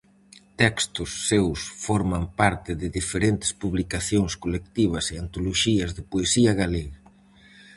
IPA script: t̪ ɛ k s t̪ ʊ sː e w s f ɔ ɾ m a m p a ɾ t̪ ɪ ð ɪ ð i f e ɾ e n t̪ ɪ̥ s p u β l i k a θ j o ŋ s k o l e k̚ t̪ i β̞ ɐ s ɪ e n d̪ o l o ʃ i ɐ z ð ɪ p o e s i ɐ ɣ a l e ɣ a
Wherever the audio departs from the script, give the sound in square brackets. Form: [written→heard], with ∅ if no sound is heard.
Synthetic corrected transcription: t̪ ɛ k s t̪ ʊ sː e w s f ɔ ɾ m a m p a ɾ t̪ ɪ ð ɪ ð i f e ɾ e n t̪ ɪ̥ s p u β l i k a θ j o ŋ s k o l e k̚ t̪ i β̞ ɐ s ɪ [e→a] n [d̪→t̪] o l o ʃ i ɐ z ð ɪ p o e s i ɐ ɣ a l e ɣ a